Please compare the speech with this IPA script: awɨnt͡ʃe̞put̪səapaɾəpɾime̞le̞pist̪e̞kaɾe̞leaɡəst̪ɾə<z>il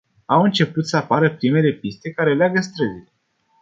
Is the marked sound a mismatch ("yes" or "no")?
no